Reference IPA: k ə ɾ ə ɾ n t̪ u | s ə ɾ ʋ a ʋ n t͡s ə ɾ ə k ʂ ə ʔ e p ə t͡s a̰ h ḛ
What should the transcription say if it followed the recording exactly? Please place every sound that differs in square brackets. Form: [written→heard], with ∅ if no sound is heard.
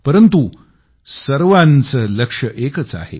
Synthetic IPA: [k→p] ə ɾ ə [ɾ→∅] n t̪ u | s ə ɾ ʋ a [ʋ→∅] n t͡s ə [ɾ→l] ə k ʂ ə ʔ e [p→k] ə t͡s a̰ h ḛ